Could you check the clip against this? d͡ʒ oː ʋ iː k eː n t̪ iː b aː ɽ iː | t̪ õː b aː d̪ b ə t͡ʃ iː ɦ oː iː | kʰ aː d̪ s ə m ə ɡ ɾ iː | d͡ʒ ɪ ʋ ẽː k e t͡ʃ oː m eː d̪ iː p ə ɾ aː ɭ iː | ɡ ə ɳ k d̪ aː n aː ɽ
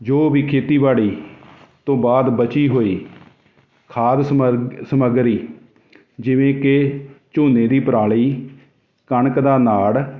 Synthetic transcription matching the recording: d͡ʒ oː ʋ iː kʰ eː t̪ iː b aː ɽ iː | t̪ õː b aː d̪ b ə t͡ʃ iː ɦ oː iː | kʰ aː d̪ s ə m ə ɡ ɾ iː | d͡ʒ ɪ ʋ ẽː k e t͡ʃ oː n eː d̪ iː p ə ɾ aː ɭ iː | k ə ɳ k d̪ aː n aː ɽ